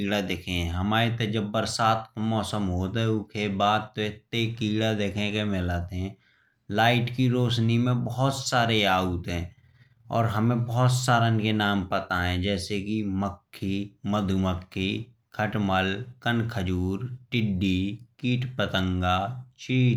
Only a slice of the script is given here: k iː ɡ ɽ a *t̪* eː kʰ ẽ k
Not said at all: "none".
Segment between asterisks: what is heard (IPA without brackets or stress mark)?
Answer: d̪